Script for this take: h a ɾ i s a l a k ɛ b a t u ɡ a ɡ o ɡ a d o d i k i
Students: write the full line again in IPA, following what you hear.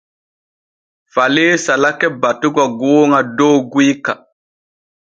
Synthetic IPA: f a l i s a l a k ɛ b a t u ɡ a ɡ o ŋ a d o ɡ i k a